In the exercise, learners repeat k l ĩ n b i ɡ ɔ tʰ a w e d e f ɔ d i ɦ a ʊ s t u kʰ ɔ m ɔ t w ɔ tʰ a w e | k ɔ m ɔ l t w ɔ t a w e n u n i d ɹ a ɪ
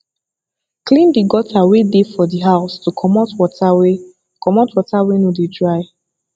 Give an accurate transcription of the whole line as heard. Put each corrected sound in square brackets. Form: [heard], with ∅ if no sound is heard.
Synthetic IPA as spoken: k l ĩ n [d] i ɡ ɔ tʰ a w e d e f ɔ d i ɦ a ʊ s t u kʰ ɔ m ɔ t w ɔ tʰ a w e | k ɔ m ɔ [∅] t w ɔ t a w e n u [d] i d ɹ a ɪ